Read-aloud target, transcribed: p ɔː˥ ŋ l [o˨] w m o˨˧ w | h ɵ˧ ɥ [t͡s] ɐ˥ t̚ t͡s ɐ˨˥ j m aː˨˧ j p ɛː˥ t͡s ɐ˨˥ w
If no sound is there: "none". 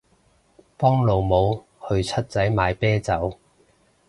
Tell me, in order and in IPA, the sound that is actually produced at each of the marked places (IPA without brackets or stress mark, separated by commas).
o˨, t͡sʰ